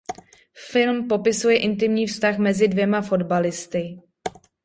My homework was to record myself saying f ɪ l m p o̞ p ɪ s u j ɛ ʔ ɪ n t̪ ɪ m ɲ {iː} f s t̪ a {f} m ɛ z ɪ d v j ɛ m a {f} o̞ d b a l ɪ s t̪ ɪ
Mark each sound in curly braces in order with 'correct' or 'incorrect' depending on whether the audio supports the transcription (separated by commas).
correct, incorrect, correct